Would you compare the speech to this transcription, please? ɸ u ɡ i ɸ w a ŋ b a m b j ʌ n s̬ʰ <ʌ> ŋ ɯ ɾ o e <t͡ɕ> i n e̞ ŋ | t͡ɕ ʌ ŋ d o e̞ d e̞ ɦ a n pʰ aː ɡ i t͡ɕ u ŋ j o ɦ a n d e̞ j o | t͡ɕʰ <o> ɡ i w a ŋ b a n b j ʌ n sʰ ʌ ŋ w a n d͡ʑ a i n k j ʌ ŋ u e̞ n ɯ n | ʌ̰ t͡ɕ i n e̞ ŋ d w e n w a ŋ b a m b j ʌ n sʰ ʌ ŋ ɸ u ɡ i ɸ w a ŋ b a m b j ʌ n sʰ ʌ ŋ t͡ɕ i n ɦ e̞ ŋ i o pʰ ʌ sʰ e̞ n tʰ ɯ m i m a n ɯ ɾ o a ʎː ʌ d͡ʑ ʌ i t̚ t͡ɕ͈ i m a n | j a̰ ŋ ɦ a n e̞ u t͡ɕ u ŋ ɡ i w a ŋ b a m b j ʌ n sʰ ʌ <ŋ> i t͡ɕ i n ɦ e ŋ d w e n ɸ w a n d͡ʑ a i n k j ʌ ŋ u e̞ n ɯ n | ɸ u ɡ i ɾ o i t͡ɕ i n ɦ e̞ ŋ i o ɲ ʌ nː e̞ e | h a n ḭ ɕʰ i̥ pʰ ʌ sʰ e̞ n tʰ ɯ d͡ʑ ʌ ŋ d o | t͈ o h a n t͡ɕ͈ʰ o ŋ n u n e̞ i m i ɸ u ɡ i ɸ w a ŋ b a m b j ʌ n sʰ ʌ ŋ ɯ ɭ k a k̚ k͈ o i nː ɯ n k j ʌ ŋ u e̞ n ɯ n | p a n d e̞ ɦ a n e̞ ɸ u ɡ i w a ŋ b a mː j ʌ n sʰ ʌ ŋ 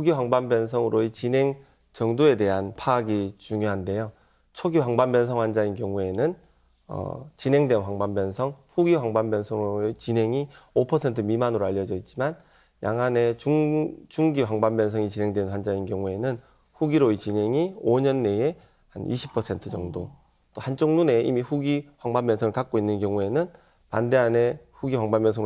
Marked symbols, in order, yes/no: yes, yes, yes, yes

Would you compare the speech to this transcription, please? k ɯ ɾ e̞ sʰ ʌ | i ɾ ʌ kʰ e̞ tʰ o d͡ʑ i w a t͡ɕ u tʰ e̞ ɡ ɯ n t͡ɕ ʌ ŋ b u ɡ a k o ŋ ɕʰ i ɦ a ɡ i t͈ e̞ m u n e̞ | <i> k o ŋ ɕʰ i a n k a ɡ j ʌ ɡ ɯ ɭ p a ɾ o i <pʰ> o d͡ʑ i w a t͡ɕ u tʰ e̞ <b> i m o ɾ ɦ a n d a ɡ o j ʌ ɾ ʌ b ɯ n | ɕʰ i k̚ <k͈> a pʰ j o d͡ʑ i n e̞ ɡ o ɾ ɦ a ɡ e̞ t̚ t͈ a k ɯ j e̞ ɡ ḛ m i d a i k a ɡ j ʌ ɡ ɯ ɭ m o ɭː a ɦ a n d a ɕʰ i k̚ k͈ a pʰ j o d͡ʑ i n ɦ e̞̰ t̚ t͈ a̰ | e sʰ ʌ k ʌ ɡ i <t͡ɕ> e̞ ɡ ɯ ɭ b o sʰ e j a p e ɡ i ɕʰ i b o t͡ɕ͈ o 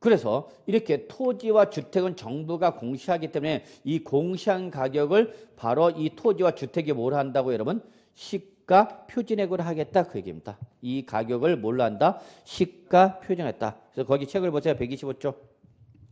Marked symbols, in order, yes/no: yes, no, no, yes, no

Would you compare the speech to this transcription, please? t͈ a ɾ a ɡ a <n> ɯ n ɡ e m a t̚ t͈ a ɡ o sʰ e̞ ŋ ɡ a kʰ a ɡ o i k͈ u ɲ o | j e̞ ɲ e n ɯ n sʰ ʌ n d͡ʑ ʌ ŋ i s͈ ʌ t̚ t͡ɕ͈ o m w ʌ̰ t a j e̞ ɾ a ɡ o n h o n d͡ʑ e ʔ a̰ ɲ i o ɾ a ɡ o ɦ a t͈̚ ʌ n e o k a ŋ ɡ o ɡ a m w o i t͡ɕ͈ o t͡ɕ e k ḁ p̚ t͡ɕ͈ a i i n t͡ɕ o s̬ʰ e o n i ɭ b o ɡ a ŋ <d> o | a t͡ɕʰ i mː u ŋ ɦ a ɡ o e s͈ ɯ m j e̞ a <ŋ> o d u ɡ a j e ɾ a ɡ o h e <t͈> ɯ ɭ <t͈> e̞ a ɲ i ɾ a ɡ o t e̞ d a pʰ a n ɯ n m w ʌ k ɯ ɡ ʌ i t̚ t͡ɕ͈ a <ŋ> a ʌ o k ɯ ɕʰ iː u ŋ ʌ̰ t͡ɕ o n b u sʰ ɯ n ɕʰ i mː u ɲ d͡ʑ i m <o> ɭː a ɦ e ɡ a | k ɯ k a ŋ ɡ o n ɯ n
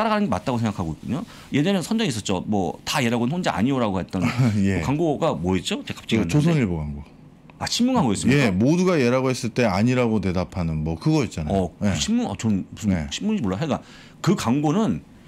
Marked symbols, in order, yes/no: yes, no, no, no, yes, no, yes

